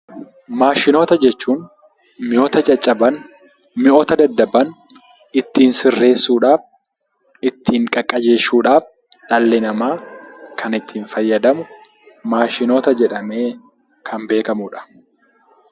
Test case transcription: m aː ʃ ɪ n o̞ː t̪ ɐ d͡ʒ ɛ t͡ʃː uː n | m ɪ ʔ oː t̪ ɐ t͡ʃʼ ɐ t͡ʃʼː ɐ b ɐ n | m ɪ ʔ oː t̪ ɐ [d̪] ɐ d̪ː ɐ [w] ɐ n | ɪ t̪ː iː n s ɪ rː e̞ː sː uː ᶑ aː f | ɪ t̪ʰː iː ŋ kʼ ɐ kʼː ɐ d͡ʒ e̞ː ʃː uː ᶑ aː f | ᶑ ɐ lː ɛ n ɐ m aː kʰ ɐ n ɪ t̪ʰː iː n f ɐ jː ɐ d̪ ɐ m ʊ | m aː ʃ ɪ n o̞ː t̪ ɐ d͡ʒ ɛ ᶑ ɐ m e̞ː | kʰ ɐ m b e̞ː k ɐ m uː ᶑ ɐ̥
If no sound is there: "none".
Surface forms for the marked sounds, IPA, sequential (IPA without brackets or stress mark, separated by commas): d̪, b